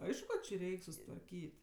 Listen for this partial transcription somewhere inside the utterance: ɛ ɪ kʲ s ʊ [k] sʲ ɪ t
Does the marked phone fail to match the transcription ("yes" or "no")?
yes